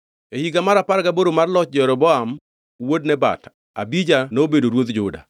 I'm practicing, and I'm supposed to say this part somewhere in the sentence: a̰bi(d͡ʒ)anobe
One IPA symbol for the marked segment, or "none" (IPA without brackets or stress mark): d͡ʒ